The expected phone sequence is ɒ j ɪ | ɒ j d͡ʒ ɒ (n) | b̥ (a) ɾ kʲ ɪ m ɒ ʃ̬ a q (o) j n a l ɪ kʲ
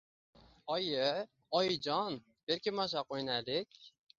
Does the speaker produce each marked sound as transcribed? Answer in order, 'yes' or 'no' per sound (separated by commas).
yes, no, yes